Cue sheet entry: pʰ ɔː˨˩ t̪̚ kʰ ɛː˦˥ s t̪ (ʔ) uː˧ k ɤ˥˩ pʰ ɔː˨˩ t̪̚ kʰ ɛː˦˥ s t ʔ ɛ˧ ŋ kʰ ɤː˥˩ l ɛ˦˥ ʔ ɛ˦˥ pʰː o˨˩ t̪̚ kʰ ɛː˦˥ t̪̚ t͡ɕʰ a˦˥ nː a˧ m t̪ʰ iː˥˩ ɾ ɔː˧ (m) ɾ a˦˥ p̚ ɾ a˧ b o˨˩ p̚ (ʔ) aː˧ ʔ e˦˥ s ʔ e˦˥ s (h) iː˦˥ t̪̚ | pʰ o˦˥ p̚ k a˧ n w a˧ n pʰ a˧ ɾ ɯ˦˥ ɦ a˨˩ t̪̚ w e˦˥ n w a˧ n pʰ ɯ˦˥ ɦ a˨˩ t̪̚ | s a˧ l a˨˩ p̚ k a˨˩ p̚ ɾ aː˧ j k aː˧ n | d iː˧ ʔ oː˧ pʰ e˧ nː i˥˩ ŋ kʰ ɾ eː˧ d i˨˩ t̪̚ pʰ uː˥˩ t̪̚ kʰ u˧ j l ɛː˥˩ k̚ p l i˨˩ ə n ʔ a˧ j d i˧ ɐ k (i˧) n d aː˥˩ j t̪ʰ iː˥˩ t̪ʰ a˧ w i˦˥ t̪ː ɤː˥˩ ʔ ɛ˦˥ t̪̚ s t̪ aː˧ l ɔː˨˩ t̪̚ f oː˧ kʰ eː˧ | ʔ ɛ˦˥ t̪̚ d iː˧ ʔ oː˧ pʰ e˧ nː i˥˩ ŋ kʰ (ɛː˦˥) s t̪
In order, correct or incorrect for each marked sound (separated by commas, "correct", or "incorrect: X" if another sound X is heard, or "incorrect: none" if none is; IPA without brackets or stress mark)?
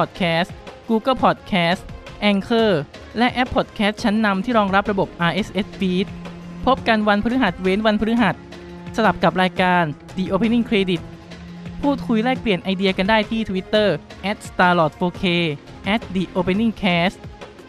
incorrect: k, incorrect: ŋ, correct, incorrect: f, incorrect: a˧, correct